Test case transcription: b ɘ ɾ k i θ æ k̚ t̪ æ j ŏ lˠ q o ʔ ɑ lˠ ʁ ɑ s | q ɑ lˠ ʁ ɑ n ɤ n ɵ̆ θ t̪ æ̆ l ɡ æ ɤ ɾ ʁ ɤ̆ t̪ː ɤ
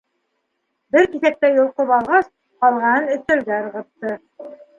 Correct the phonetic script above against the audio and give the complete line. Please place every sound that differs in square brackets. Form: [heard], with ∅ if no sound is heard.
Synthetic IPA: b ɘ ɾ k i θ æ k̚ t̪ æ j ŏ lˠ q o [p] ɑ lˠ ʁ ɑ s | q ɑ lˠ ʁ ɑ n ɤ n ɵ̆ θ t̪ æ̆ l ɡ æ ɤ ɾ ʁ ɤ̆ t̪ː ɤ